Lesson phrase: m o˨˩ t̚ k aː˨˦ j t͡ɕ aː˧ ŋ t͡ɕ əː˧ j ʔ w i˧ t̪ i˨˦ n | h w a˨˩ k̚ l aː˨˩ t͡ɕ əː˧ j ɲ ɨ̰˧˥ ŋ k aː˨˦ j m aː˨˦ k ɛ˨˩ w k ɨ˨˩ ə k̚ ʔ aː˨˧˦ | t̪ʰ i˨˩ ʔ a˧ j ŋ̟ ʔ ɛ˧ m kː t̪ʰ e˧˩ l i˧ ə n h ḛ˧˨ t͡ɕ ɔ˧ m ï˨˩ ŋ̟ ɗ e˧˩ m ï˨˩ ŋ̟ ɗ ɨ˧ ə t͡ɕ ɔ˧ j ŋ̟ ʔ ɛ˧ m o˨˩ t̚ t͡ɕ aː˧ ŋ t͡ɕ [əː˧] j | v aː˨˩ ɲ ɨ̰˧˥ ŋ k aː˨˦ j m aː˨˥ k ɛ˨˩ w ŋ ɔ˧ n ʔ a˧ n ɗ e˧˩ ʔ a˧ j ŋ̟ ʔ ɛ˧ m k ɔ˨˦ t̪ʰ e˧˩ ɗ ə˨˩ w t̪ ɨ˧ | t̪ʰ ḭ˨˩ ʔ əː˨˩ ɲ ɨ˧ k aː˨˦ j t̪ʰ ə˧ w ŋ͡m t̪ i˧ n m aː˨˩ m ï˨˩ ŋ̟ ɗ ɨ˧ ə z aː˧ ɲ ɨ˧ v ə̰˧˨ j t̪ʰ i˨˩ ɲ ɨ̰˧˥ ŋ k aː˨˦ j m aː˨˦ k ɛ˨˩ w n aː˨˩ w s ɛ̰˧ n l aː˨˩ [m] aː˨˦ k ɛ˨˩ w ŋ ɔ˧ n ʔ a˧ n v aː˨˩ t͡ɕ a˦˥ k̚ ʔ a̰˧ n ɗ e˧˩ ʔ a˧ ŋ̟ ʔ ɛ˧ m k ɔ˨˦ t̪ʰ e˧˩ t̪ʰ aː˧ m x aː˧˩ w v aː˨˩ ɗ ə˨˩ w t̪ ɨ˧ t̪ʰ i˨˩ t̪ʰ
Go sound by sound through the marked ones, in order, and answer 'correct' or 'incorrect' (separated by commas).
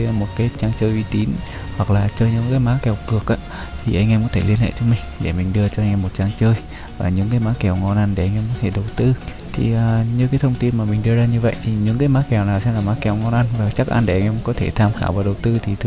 correct, correct